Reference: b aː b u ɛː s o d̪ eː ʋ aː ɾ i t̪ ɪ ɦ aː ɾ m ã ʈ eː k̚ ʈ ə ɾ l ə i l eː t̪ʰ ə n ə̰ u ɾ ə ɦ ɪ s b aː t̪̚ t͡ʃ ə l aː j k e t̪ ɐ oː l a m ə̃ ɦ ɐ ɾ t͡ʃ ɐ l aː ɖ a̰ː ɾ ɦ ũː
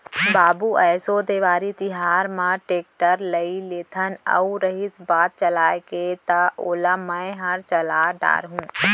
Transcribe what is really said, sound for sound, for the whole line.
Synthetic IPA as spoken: b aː b u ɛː s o d̪ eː ʋ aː ɾ i t̪ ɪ ɦ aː ɾ m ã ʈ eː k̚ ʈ ə ɾ l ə i l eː t̪ʰ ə n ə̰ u ɾ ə ɦ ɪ s b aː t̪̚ t͡ʃ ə l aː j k e t̪ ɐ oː l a m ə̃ ɦ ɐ ɾ t͡ʃ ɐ l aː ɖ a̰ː ɾ ɦ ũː